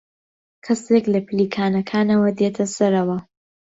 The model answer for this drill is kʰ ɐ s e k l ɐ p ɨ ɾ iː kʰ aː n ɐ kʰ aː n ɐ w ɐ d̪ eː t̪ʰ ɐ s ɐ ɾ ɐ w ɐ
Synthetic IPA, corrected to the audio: kʰ ɐ s e k l ɐ p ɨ l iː kʰ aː n ɐ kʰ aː n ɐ w ɐ d̪ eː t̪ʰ ɐ s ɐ ɾ ɐ w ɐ